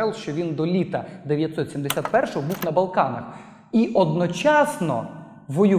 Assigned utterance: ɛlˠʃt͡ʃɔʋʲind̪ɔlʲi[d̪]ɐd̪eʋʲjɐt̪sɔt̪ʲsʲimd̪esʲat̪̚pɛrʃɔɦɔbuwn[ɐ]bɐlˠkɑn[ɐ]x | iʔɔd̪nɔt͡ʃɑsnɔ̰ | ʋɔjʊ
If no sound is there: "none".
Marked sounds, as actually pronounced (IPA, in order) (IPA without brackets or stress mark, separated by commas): t̪, ɐ, ɐ